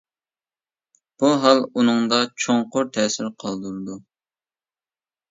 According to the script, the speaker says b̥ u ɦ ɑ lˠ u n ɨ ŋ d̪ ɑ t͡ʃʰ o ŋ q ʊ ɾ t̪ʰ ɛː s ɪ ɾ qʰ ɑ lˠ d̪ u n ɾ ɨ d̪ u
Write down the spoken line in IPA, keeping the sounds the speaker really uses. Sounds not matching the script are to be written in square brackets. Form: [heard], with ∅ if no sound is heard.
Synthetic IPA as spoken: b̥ u ɦ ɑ lˠ u n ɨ ŋ d̪ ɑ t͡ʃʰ o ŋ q ʊ ɾ t̪ʰ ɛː s ɪ ɾ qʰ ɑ lˠ d̪ u [∅] ɾ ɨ d̪ u